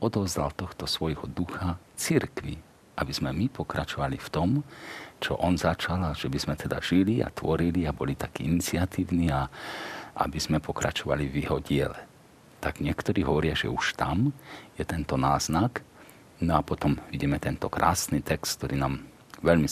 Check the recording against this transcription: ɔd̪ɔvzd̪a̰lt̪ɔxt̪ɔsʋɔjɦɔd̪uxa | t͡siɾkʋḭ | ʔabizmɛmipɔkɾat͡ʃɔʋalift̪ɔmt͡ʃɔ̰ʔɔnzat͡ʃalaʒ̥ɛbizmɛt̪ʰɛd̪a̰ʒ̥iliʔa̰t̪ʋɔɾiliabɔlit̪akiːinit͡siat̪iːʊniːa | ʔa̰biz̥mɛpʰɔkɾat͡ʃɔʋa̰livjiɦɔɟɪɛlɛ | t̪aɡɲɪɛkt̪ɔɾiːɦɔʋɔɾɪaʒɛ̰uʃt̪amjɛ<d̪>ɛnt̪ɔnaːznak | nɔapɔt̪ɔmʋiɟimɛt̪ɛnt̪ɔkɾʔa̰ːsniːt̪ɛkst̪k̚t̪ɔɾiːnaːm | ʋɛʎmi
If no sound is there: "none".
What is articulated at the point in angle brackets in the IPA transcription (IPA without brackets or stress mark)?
t̪